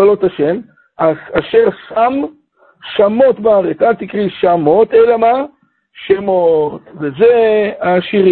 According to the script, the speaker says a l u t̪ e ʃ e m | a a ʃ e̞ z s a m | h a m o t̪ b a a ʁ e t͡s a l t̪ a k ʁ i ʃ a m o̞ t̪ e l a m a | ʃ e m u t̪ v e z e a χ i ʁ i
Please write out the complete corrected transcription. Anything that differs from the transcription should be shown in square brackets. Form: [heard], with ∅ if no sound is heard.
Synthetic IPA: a l [o] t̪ [a] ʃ e m | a a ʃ e̞ [ʁ] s a m | [ʃ] a m o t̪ b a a ʁ e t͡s a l t̪ [i] k ʁ i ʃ a m o̞ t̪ e l a m a | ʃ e m [o] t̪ v e z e a [ʃ] i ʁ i